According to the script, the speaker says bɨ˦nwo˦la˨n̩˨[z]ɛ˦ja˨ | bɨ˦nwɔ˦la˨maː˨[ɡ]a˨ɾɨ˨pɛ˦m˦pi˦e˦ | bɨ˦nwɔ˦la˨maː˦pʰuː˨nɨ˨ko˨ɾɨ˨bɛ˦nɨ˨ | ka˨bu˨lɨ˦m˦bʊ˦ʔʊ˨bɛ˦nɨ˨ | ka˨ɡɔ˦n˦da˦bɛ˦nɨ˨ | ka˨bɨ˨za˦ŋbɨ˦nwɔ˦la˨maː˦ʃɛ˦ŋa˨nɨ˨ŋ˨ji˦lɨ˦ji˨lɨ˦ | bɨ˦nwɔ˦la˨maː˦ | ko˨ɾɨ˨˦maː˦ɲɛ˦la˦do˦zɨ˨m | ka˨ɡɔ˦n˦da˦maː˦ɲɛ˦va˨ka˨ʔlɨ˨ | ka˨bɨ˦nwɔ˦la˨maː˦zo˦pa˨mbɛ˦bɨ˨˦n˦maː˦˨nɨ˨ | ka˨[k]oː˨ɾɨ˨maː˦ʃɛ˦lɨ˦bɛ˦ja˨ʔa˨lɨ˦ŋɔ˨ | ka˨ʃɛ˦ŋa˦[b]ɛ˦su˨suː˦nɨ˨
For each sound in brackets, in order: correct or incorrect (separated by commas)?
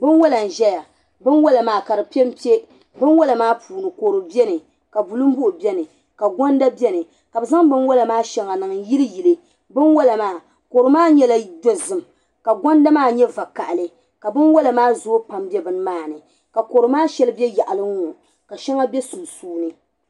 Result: incorrect, incorrect, correct, correct